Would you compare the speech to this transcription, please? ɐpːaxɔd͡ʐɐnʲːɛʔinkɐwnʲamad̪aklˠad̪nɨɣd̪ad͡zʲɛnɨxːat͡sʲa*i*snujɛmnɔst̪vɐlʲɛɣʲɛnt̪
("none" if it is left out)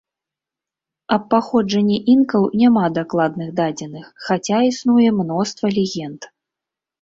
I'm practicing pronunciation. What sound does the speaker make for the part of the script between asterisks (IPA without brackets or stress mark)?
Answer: i